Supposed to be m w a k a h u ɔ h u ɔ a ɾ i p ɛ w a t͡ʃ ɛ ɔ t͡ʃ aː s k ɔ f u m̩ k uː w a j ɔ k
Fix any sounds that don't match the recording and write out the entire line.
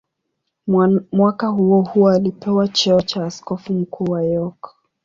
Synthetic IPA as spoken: m w a k a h u ɔ h u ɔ a l i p ɛ w a t͡ʃ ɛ ɔ t͡ʃ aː s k ɔ f u m̩ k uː w a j ɔ k